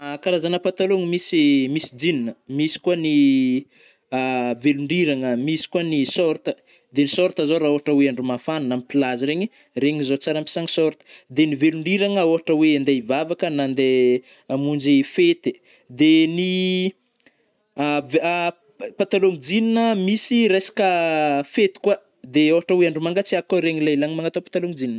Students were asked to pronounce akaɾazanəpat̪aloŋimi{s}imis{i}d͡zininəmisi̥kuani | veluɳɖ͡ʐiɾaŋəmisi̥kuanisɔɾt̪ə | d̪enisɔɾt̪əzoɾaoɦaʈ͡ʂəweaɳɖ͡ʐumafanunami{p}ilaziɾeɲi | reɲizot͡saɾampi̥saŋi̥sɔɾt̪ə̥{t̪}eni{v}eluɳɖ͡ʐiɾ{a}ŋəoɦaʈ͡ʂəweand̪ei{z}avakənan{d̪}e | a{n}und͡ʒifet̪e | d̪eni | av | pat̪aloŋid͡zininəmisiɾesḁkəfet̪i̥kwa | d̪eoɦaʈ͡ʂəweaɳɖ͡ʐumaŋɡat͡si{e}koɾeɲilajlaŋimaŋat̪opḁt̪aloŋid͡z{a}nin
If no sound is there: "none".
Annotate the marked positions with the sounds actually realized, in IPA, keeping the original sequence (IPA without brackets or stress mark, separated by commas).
s, i, p, d̪, v, a, v, d̪, m, a, i